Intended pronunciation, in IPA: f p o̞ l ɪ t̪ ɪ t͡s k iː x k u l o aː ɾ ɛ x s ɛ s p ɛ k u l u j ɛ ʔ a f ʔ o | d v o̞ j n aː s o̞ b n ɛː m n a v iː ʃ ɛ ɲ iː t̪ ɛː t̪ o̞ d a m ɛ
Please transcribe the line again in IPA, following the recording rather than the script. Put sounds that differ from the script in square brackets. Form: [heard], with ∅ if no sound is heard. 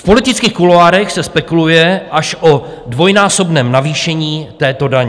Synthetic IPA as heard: f p o̞ l ɪ t̪ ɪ t͡s k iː x k u l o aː ɾ ɛ x s ɛ s p ɛ k u l u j ɛ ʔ a [ʃ] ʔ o | d v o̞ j n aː s o̞ b n ɛː m n a v iː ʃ ɛ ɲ iː t̪ ɛː t̪ o̞ d a [ɲ] ɛ